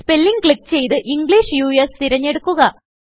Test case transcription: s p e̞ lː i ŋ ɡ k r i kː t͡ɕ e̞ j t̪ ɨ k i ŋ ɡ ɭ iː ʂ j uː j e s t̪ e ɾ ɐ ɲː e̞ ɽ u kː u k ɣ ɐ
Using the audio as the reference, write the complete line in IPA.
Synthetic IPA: s p e̞ lː i ŋ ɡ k ɭ i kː t͡ɕ e̞ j t̪ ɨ ʔ i ŋ ɡ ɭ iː ʂ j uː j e s t̪ i ɾ ɐ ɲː e̞ ɽ u kː u ɣ ɐ